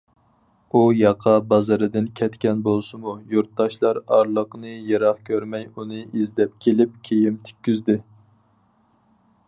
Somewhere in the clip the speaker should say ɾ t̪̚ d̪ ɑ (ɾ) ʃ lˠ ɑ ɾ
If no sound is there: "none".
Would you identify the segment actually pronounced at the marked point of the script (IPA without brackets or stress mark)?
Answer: none